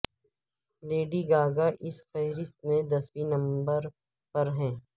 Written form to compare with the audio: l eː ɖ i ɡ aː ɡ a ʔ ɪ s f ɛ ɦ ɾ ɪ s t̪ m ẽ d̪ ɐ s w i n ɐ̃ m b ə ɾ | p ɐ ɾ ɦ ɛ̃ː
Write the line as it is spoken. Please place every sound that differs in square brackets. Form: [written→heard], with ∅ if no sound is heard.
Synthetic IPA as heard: l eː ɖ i ɡ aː ɡ a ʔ ɪ s f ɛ ɦ ɾ ɪ s t̪ m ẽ d̪ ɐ s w i n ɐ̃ m b ə ɾ | p ɐ ɾ ɦ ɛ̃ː